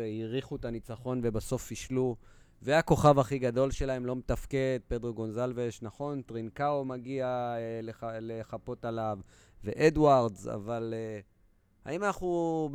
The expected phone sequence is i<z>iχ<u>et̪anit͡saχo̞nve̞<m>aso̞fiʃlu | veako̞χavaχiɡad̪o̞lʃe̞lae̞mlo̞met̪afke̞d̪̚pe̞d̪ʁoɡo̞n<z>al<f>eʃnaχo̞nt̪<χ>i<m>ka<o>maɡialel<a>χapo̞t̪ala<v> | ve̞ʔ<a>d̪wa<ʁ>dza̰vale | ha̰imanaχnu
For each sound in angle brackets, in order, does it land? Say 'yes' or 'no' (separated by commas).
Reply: no, yes, no, yes, no, no, no, yes, no, yes, no, yes